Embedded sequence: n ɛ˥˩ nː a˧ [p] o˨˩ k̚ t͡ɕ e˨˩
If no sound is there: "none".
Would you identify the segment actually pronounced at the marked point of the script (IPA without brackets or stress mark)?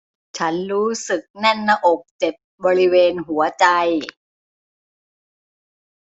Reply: ʔ